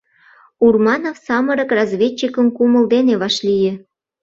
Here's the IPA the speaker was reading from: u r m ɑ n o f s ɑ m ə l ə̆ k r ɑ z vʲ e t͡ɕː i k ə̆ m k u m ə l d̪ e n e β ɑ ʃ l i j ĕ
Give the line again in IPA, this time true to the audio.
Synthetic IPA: u r m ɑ n o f s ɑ m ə ɾ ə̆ k r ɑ z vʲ e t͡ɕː i k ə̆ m k u m ə l d̪ e n e β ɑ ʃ l i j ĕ